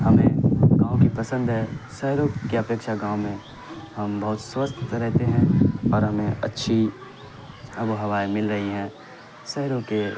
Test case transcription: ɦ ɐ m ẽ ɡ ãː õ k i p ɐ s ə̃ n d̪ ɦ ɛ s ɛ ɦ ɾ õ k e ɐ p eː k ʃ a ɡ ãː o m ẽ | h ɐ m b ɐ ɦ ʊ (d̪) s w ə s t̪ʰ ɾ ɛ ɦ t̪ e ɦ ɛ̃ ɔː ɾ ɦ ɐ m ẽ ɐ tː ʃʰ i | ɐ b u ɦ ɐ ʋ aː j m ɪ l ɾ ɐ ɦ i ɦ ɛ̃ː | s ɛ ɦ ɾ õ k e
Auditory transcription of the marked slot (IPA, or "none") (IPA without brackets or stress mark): t̪